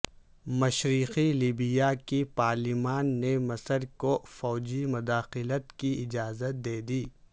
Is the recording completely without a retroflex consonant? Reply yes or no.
yes